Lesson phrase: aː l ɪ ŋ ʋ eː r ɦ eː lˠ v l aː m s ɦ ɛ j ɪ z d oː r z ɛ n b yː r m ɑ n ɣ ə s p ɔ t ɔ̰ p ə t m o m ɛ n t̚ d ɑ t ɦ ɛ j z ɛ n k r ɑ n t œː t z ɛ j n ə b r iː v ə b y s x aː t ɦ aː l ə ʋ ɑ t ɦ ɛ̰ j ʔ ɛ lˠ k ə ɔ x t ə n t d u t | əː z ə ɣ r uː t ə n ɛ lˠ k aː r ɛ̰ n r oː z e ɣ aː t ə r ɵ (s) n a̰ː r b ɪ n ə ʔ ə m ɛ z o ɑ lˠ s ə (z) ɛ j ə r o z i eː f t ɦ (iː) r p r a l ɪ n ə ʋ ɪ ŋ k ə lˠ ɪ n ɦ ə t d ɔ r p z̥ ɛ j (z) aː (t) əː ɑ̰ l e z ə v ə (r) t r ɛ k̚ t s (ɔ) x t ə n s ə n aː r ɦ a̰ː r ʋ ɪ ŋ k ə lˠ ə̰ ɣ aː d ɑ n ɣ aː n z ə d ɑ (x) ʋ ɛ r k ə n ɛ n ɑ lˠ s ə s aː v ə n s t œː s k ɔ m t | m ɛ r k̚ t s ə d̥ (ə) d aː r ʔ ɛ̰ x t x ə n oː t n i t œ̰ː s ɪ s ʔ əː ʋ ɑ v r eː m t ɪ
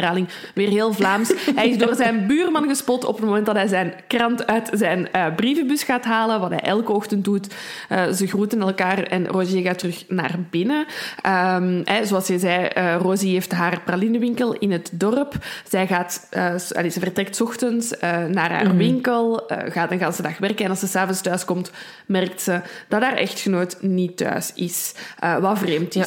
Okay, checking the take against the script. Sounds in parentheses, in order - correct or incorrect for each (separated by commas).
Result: incorrect, correct, incorrect, incorrect, correct, correct, correct, correct, incorrect